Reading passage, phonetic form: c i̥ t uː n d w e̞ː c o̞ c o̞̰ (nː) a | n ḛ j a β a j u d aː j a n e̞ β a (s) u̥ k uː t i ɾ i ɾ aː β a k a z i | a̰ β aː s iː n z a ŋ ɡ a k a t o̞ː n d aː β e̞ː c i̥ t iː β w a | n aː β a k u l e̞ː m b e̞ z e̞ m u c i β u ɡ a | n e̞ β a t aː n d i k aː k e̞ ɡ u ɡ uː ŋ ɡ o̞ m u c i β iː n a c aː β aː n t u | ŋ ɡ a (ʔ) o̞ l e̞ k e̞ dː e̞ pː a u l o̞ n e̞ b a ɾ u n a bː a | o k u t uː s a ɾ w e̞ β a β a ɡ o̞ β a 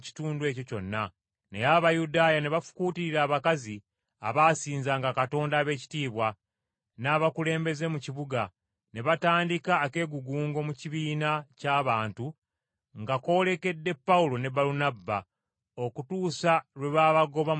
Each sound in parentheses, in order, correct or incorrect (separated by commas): correct, incorrect, incorrect